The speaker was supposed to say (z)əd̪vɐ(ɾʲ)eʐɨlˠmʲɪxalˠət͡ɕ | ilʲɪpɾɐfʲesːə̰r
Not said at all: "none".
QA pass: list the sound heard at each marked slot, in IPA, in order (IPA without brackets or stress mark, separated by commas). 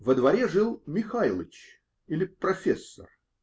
v, ɾʲ